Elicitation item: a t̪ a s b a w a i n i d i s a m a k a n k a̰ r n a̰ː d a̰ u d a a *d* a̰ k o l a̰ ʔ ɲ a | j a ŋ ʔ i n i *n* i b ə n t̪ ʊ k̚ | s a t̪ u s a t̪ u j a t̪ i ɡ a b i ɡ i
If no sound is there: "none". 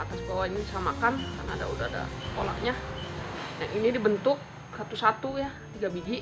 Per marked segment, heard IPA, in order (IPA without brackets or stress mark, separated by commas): d, d